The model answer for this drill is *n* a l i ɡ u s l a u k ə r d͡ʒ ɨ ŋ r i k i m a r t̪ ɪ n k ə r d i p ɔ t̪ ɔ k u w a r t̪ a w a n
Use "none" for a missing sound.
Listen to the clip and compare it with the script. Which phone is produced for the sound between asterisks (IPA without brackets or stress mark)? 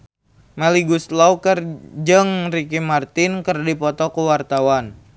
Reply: m